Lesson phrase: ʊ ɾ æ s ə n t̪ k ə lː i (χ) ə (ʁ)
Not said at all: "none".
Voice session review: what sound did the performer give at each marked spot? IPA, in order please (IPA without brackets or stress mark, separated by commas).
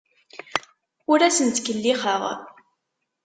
χ, ʁ